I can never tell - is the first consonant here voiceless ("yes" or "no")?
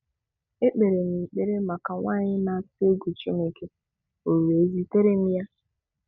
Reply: yes